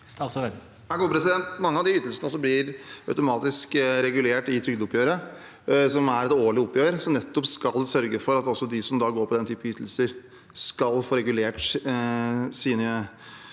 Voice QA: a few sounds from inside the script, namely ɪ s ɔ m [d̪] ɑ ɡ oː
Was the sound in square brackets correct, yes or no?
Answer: yes